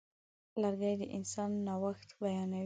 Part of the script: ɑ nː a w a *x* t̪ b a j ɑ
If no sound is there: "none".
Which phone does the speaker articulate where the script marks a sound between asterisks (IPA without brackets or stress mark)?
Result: x